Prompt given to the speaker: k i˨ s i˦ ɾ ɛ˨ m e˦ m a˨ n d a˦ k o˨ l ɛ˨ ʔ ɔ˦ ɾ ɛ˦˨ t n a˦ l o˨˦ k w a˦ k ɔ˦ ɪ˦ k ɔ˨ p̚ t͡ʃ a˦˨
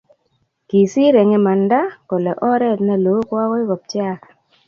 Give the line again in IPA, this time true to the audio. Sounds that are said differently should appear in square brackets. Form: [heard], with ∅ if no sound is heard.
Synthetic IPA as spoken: k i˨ s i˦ ɾ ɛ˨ [ŋ] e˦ m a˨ n d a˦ k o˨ l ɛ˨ ʔ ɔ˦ ɾ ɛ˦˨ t n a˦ l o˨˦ k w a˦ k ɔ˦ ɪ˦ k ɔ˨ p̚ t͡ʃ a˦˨